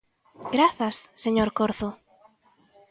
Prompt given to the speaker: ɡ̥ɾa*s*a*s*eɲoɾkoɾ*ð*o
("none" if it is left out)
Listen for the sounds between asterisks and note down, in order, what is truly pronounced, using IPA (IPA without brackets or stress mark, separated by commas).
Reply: θ, sː, θ